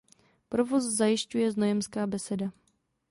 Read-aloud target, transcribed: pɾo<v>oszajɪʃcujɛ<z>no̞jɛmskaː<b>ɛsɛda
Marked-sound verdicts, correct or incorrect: correct, correct, correct

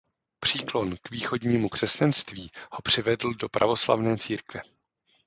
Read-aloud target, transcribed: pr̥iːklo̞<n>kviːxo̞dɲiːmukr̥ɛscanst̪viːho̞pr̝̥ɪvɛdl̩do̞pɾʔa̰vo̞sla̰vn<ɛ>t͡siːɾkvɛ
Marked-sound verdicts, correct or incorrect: correct, incorrect: ɛː

